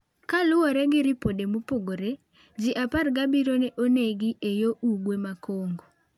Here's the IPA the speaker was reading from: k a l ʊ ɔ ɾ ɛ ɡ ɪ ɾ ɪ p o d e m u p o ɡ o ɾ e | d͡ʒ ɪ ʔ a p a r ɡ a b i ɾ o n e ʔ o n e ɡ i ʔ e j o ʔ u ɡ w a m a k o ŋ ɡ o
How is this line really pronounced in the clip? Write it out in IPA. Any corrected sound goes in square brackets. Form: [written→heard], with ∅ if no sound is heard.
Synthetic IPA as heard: k a l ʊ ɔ ɾ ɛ ɡ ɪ ɾ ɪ p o d e m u p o ɡ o ɾ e | d͡ʒ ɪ ʔ a p a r ɡ a b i ɾ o n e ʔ o n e ɡ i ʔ e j o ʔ u ɡ w [a→e] m a k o ŋ ɡ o